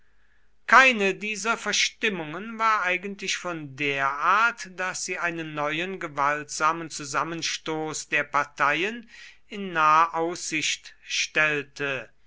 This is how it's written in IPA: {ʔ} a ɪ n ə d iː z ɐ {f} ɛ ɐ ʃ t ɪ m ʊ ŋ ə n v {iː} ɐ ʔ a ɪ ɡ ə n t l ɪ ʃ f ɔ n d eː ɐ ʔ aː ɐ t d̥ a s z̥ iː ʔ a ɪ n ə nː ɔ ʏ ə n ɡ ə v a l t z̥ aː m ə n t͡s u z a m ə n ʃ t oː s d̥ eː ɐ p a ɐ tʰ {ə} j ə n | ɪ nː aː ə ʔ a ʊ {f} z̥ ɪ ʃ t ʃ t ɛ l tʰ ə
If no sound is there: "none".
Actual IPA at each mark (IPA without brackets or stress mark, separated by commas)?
k, f, aː, a, s